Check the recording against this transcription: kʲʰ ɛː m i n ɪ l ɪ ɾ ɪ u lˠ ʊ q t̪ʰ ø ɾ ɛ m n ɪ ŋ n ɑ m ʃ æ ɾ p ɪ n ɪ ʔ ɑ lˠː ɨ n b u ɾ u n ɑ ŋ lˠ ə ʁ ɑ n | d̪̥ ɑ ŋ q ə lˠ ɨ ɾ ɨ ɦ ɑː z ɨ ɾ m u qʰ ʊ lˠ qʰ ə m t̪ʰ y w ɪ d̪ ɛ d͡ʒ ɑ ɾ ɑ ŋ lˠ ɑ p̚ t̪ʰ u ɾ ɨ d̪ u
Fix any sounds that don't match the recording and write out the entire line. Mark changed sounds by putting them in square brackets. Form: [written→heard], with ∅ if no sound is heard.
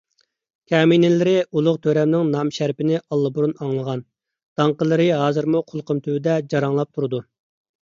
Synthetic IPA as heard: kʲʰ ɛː m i n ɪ l ɪ ɾ ɪ u lˠ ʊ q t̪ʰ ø ɾ ɛ m n ɪ ŋ n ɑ m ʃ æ ɾ p ɪ n ɪ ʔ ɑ lˠː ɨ [n→∅] b u ɾ u n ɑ ŋ lˠ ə ʁ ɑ n | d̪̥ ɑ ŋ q ə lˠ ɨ ɾ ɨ ɦ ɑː z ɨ ɾ m u qʰ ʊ lˠ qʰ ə m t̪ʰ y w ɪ d̪ ɛ d͡ʒ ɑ ɾ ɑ ŋ lˠ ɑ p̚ t̪ʰ u ɾ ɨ d̪ u